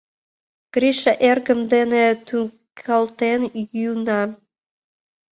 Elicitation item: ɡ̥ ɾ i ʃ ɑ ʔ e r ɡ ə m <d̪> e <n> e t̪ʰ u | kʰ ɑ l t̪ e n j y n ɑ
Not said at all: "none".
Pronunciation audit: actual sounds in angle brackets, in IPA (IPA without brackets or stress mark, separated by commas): d̪, n